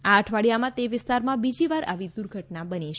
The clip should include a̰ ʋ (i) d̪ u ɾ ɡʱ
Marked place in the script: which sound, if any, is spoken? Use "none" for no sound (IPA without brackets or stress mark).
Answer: i